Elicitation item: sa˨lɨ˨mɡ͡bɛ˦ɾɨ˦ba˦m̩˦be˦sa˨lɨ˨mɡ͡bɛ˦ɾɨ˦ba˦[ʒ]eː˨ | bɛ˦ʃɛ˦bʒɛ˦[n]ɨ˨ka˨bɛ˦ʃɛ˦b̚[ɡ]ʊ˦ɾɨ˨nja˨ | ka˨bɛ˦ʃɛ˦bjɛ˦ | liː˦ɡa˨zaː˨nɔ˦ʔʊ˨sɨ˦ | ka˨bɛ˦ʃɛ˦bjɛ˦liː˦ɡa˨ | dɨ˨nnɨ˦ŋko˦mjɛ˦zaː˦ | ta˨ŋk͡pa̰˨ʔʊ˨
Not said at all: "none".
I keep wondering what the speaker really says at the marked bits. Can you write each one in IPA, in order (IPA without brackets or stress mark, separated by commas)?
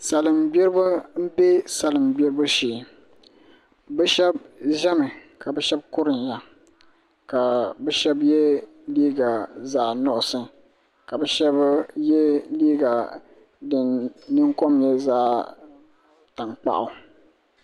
ʃ, m, k